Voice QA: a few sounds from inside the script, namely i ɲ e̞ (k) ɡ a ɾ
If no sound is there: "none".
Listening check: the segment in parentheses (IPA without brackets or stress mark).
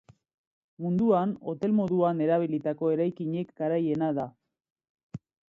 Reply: k